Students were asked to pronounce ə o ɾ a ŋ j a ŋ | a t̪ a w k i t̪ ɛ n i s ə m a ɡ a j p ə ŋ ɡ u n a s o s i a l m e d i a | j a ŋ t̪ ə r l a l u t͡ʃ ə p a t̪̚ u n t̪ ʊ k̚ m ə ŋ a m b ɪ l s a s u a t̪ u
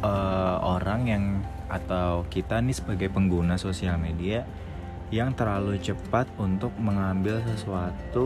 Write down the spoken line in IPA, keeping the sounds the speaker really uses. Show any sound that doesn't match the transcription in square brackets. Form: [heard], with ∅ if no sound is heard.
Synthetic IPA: ə o ɾ a ŋ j a ŋ | a t̪ a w k i t̪ [a] n i s ə [b] a ɡ a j p ə ŋ ɡ u n a s o s i a l m e d i a | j a ŋ t̪ ə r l a l u t͡ʃ ə p a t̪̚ u n t̪ ʊ k̚ m ə ŋ a m b ɪ l s [ə] s u a t̪ u